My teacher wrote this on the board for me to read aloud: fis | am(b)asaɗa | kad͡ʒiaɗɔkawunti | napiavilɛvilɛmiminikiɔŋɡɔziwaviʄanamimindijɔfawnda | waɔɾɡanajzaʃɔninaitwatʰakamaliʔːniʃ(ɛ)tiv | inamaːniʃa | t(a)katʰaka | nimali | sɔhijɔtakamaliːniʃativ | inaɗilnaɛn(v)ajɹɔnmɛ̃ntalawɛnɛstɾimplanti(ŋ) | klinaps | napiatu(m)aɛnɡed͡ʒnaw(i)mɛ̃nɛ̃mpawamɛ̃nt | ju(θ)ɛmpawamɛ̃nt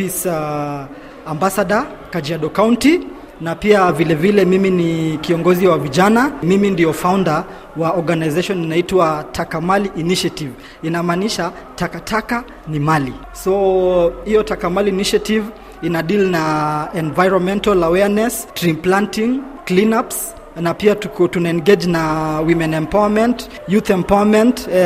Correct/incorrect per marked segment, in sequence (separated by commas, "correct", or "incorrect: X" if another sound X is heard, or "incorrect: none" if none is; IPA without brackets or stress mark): correct, incorrect: a, correct, correct, correct, incorrect: n, correct, correct